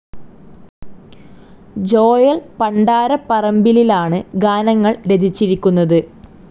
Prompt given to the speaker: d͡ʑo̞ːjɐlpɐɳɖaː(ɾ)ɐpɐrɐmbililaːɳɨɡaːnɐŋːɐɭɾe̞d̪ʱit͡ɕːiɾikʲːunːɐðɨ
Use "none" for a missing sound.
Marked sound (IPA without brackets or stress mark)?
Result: ɾ